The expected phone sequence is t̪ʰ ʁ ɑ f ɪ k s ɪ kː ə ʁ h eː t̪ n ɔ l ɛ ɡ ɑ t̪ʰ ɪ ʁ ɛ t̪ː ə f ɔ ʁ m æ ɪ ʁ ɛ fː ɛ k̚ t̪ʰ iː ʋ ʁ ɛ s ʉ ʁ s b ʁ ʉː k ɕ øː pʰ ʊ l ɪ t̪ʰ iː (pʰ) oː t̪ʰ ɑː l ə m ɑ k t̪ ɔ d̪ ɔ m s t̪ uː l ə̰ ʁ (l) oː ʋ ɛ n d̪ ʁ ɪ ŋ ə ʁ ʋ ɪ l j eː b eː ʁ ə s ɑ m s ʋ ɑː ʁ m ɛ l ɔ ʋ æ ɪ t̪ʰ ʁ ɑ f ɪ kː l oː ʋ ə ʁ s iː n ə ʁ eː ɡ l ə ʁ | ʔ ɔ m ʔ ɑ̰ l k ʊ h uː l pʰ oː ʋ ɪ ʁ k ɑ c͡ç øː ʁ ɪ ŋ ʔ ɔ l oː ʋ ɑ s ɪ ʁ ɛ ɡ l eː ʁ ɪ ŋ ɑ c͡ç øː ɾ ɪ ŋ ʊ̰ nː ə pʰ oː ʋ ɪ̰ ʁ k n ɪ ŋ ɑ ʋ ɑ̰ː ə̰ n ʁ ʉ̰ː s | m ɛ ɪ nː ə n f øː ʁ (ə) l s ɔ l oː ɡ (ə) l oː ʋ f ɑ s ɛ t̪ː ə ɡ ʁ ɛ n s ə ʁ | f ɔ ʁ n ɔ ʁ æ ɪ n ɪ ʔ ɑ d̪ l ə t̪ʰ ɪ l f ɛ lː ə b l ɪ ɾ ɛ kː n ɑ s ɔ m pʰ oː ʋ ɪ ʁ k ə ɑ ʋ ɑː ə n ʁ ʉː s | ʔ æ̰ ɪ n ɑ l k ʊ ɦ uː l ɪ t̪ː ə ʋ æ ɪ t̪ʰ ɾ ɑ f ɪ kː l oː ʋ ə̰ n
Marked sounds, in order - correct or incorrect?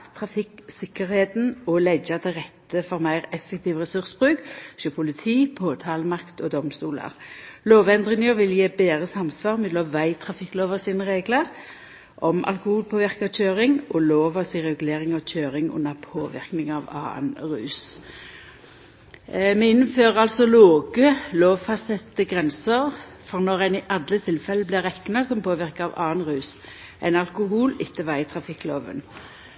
correct, correct, incorrect, correct

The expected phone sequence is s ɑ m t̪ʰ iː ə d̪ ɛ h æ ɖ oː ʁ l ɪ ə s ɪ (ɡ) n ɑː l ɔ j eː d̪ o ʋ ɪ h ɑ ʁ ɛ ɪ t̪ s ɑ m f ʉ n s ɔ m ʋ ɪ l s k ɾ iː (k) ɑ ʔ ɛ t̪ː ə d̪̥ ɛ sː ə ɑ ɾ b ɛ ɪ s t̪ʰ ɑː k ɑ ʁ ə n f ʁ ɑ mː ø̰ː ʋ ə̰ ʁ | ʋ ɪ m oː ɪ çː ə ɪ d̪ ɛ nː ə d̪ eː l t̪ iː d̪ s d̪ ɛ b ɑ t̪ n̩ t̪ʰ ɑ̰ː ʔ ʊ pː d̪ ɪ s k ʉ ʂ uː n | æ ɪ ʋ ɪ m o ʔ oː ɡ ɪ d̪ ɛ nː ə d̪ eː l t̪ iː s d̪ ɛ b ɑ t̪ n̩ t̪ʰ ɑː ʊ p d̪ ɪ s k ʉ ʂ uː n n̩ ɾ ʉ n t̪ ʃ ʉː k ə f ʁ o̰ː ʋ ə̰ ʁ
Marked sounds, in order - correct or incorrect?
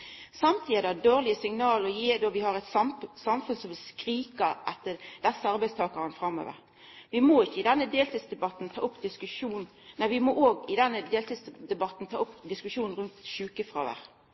incorrect, correct

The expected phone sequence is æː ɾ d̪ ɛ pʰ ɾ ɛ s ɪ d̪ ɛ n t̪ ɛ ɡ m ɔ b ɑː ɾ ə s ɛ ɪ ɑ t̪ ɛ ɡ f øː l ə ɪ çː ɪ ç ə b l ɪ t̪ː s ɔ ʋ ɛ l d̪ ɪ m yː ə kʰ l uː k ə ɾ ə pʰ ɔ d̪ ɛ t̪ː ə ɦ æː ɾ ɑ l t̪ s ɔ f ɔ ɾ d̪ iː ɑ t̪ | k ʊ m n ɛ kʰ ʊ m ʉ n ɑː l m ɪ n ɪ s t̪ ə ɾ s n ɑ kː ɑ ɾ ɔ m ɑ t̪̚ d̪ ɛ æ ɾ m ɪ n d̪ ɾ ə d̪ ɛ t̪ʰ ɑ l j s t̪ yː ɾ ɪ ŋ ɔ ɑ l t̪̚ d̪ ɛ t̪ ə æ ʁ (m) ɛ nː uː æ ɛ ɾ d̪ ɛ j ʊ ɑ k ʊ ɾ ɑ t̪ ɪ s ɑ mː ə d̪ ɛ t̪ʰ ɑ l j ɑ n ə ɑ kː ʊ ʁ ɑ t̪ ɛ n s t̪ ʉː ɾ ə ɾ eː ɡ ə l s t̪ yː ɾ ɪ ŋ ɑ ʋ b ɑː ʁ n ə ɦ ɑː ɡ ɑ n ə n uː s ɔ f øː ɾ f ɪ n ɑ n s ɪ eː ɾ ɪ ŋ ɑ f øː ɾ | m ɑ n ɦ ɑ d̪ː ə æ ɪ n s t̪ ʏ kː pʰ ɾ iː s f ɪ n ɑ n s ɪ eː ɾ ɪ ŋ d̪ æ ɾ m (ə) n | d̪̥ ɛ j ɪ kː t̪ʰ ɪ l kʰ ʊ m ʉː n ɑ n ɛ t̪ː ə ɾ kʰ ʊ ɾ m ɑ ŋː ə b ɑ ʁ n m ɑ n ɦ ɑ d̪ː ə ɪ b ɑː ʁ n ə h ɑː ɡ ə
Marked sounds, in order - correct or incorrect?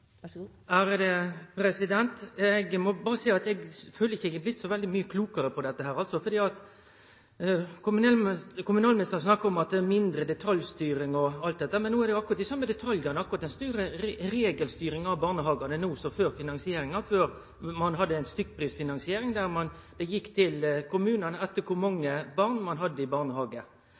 correct, incorrect

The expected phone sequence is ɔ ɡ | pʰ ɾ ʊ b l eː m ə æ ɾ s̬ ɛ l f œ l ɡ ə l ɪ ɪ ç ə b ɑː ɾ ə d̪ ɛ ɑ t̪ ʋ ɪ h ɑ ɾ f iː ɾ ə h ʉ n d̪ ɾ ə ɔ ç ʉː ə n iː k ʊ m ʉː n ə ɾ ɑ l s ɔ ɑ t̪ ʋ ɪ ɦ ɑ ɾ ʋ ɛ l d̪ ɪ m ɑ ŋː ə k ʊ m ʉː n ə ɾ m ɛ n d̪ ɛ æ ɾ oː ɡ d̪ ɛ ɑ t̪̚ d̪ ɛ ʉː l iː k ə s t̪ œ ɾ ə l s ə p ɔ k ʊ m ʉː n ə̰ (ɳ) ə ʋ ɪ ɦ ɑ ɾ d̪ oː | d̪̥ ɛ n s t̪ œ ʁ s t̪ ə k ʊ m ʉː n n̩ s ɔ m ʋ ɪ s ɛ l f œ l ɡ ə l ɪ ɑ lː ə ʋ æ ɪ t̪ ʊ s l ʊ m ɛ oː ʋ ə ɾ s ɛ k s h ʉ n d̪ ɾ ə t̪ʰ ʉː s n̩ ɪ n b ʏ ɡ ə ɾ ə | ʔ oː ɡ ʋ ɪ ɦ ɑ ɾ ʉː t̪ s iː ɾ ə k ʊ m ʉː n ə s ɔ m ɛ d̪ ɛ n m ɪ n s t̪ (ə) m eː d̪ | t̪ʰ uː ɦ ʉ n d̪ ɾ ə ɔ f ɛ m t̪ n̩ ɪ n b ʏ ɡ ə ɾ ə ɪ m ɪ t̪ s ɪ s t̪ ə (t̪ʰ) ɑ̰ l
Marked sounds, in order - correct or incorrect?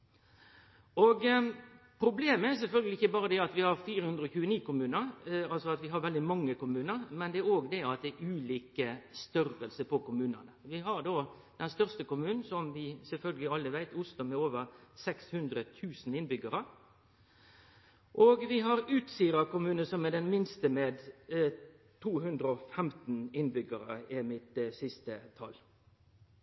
incorrect, correct, correct

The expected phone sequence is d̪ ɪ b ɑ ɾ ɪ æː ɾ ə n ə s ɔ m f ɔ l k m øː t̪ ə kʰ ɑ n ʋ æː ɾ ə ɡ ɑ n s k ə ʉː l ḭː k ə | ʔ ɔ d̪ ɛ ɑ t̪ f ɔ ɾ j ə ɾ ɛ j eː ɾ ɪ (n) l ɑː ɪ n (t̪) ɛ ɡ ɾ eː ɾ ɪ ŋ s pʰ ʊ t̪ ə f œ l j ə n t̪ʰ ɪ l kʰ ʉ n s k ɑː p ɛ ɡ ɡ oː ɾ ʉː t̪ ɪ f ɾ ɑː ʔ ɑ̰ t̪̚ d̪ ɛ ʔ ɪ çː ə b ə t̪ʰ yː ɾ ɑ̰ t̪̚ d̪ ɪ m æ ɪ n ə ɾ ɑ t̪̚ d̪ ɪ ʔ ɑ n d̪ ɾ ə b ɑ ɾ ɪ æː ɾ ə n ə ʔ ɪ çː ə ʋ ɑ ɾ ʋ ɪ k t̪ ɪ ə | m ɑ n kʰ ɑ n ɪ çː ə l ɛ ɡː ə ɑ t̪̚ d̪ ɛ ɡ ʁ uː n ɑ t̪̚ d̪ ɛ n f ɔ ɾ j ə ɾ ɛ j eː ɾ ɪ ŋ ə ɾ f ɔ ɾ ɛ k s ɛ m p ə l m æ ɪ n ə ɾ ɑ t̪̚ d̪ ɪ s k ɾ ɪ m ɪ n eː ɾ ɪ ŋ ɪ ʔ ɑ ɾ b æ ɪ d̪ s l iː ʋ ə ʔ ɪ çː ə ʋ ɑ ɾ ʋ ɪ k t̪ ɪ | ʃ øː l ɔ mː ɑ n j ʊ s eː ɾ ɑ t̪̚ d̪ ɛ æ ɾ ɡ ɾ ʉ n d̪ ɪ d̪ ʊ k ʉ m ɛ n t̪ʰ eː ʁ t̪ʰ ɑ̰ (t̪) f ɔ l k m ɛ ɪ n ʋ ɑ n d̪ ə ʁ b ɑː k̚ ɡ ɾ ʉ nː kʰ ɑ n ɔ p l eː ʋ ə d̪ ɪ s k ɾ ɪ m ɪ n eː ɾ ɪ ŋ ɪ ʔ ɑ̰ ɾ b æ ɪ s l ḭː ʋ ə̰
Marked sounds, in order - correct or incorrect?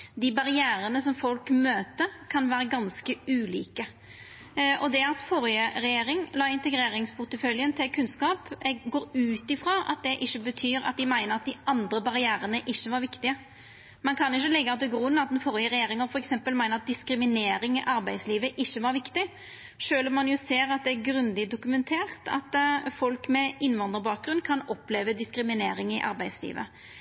incorrect, correct, correct

